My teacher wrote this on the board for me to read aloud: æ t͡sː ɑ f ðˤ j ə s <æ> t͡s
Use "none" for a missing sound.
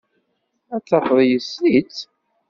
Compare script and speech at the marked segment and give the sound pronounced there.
i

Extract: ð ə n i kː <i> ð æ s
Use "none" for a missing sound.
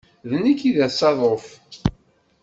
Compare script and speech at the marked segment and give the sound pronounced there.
i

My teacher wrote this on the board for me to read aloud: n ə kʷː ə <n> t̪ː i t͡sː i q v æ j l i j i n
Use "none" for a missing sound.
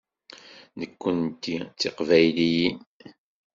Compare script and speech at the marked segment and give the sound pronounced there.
n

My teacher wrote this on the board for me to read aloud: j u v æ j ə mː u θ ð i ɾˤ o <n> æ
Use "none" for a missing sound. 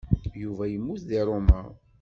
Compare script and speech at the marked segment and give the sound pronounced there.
m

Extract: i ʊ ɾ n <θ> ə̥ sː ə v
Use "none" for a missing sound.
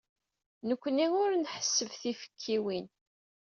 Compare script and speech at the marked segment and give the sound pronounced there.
ħ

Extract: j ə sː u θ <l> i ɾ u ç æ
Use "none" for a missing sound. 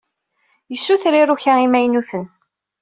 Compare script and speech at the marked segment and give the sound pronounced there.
ɾ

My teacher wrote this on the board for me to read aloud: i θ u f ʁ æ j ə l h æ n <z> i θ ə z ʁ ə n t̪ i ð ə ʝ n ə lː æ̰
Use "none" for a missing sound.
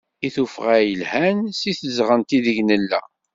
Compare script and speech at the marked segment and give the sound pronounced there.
s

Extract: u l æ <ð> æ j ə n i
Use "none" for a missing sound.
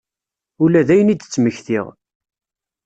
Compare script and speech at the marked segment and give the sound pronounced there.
ð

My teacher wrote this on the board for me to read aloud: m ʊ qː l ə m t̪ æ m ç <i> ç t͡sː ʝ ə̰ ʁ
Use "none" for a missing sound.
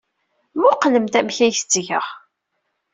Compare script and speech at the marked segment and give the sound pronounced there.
æ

